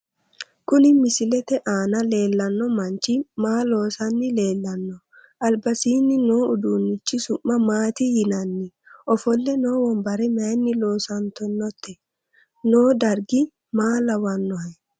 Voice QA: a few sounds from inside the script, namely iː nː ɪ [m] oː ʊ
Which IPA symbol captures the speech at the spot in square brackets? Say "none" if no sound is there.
n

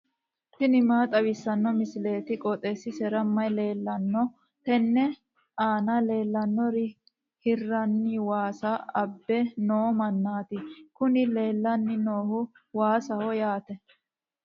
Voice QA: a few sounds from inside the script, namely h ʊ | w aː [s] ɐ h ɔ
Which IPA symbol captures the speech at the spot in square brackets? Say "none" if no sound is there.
s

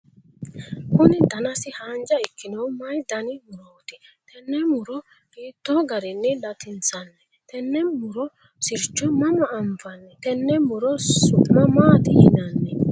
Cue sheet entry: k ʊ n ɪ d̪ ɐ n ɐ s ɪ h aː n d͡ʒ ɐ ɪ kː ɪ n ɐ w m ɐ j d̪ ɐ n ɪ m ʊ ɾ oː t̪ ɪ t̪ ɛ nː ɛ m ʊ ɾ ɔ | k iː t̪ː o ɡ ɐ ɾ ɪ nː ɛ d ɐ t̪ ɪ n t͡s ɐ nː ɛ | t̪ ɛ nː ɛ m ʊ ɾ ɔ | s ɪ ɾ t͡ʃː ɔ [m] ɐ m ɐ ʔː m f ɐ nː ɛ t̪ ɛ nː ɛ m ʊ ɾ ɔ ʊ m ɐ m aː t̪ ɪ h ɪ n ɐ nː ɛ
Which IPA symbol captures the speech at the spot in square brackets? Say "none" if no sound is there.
m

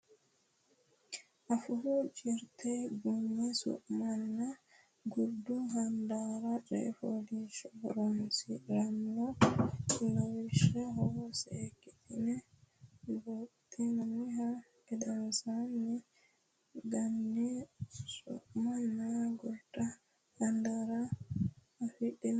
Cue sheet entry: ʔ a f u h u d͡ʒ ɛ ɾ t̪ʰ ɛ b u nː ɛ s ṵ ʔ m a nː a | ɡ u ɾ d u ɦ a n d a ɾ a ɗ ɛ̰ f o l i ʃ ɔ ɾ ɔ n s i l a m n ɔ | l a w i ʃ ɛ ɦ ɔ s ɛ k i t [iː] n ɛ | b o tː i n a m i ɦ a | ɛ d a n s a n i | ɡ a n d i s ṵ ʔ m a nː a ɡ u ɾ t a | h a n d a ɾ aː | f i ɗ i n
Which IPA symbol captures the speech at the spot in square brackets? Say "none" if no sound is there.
i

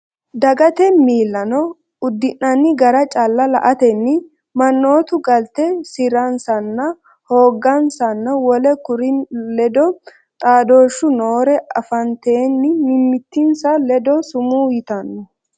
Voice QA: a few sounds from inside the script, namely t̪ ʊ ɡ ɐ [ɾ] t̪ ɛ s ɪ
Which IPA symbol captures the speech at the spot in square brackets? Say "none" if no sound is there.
l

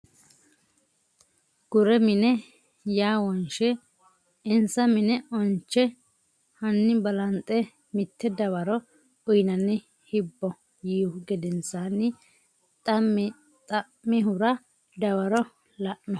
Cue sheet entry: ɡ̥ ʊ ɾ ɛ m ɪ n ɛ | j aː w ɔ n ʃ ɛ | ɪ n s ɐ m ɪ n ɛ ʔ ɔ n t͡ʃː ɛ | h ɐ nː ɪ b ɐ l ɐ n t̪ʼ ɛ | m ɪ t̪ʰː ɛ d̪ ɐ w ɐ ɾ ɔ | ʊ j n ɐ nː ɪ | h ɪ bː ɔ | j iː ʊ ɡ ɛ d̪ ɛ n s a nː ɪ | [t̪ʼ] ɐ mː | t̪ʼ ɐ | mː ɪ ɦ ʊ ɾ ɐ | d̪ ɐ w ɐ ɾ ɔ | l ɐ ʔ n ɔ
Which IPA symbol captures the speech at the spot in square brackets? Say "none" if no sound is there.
t̪ʼ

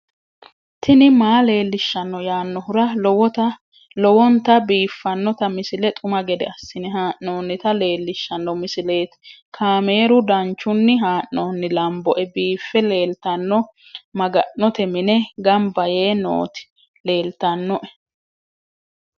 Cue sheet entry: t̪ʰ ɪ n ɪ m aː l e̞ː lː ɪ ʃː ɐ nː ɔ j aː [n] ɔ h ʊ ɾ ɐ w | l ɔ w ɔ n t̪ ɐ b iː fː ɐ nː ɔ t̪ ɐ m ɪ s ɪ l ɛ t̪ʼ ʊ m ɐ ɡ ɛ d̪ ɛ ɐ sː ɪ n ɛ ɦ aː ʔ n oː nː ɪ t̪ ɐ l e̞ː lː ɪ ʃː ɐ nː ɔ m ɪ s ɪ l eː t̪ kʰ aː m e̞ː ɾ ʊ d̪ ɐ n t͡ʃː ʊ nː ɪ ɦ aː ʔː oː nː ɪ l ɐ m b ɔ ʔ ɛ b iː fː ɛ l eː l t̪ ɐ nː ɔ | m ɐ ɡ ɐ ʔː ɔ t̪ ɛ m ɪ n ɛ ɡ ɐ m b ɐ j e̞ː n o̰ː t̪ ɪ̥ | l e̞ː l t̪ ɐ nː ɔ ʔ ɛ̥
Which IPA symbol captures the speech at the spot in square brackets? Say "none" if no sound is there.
nː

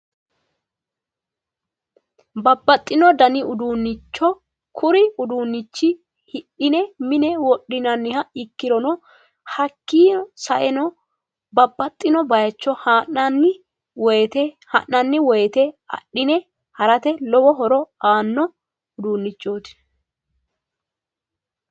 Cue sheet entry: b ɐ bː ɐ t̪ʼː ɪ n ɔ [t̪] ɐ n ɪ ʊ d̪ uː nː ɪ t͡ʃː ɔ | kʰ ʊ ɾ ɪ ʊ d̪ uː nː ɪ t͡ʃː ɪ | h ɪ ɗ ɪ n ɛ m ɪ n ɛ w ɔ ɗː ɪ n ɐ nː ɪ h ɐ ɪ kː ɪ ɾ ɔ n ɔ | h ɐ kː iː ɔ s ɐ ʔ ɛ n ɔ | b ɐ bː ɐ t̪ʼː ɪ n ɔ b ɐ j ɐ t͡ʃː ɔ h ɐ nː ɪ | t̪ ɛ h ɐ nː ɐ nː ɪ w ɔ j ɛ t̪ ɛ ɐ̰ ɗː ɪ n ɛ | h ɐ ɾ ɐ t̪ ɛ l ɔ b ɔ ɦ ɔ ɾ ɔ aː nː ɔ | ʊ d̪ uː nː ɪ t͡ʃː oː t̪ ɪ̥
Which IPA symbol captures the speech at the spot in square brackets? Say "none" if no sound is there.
d̪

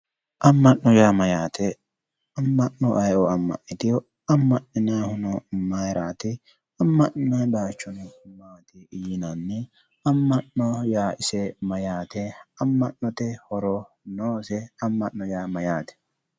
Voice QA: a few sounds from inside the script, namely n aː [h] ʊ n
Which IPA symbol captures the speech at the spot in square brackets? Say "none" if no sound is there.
h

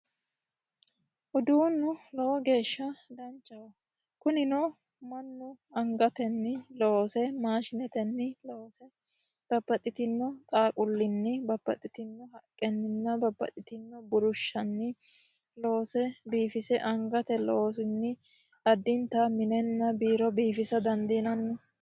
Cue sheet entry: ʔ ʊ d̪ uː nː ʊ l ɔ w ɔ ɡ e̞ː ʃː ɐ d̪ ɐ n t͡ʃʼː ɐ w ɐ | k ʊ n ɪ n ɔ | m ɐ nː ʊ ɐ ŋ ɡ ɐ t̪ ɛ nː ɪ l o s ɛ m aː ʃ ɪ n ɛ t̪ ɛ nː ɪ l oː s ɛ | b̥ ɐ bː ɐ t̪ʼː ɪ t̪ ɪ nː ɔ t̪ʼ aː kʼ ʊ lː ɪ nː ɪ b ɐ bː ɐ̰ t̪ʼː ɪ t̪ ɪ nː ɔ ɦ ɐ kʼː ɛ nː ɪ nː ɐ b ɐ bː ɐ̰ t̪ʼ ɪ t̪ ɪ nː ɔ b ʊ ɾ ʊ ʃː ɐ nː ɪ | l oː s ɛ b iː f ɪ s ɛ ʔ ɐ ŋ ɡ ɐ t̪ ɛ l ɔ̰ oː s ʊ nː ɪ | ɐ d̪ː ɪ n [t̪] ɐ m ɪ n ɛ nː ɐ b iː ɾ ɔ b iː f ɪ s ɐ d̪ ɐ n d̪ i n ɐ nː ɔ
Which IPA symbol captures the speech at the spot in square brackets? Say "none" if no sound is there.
t̪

